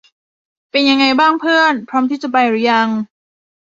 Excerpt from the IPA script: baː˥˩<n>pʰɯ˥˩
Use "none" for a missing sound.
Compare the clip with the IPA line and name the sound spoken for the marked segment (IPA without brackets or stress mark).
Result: ŋ